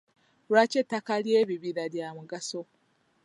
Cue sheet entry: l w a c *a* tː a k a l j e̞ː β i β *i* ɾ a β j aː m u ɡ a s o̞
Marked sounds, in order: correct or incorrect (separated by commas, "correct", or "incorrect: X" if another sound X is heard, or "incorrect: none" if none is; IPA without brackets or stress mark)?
incorrect: e, correct